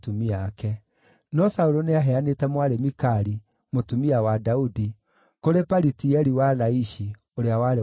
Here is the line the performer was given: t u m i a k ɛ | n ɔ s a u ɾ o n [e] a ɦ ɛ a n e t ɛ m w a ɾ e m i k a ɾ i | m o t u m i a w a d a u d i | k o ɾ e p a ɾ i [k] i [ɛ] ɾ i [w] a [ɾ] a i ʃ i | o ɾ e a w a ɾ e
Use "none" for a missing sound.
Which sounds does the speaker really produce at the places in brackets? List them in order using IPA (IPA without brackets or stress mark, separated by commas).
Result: e, t, ɛ, w, l